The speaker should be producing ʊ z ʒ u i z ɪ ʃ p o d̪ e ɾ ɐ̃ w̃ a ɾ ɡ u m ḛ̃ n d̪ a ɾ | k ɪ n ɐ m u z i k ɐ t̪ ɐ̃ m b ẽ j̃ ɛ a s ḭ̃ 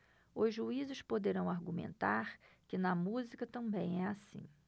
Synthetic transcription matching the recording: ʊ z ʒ u i z ɪ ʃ p o d̪ e ɾ ɐ̃ w̃ a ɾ ɡ u m ḛ̃ n t̪ a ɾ | k ɪ n ɐ m u z i k ɐ t̪ ɐ̃ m b ẽ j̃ ɛ a s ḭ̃